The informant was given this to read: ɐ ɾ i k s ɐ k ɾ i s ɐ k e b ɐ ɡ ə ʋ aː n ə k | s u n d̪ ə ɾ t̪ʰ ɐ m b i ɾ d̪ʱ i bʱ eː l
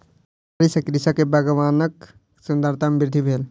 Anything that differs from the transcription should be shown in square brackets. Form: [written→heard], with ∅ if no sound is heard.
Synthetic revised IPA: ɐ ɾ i [k→∅] s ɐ k ɾ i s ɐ k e b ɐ ɡ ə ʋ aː n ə k | s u n d̪ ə ɾ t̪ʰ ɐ m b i ɾ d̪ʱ i bʱ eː l